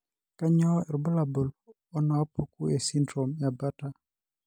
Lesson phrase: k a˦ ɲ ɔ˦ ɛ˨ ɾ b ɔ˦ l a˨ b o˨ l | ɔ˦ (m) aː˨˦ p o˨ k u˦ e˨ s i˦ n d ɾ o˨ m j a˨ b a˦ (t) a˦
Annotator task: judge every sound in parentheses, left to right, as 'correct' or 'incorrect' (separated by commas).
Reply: incorrect, correct